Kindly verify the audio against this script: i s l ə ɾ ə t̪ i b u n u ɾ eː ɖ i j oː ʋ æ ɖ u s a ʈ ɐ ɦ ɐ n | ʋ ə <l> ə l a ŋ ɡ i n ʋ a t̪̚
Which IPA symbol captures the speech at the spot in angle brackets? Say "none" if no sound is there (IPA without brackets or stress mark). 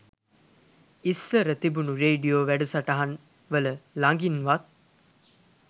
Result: l